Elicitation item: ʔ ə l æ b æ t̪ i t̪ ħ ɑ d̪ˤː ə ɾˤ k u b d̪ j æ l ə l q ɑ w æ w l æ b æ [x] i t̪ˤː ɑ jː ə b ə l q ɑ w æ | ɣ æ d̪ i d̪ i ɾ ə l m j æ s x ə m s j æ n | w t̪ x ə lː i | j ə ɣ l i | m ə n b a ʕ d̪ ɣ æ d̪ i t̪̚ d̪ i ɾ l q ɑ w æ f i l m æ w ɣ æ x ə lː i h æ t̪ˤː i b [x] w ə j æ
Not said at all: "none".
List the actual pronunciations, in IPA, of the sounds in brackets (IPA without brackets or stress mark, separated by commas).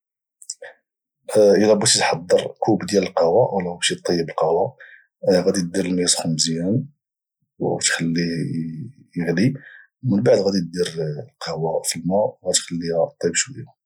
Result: ʃ, ʃ